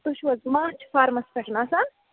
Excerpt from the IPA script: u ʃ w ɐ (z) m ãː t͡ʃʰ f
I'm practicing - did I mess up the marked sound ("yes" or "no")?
no